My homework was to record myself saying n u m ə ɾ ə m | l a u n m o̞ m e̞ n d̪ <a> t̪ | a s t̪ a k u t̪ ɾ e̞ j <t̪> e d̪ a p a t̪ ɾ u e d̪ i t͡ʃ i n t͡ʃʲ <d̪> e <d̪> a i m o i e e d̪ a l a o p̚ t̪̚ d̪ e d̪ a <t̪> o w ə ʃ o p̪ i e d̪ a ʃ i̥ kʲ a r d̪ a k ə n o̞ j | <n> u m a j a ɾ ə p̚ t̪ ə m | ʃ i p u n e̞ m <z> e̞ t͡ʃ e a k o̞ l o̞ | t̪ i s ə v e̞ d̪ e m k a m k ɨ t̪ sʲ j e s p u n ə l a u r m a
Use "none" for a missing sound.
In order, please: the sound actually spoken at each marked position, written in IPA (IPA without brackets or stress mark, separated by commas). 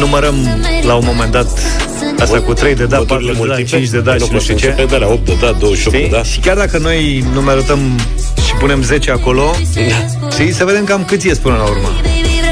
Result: a, d̪, d̪, d̪, d̪, n, z